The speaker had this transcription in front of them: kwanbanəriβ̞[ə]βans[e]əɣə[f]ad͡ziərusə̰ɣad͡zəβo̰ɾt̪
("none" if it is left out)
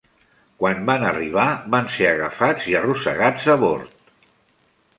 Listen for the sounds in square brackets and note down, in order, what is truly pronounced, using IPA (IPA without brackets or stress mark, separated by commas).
a, e, f